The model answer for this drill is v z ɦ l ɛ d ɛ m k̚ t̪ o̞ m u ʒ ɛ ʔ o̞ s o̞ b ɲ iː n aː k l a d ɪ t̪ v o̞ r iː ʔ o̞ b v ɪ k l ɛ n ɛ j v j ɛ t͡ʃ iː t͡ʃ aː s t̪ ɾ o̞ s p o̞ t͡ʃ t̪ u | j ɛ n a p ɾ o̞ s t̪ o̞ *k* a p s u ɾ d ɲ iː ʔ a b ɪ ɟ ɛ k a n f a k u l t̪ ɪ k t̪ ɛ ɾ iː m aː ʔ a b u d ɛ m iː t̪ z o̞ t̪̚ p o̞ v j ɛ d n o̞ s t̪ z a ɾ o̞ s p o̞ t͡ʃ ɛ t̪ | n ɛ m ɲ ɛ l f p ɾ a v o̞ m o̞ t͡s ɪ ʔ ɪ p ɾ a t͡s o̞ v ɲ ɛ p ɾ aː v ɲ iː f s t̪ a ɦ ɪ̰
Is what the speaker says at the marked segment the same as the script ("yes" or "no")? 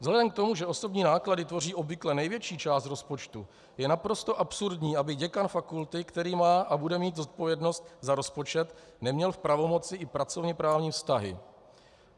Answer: no